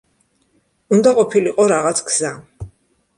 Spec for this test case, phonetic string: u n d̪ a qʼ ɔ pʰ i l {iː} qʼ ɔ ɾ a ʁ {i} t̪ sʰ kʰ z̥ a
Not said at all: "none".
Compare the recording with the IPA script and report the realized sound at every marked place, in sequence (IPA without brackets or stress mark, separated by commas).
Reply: i, a